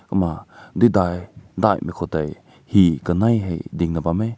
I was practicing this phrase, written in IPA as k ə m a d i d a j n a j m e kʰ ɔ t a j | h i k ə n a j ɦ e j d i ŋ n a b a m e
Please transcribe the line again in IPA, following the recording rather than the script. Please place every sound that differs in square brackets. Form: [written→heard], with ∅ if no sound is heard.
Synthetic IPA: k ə m a d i d a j [n→d] a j m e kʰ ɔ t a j | h i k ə n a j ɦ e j d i ŋ n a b a m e